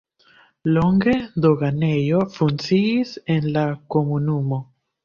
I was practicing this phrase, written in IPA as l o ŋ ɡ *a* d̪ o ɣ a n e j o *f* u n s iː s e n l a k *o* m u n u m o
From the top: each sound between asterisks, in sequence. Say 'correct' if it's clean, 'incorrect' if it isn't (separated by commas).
incorrect, correct, correct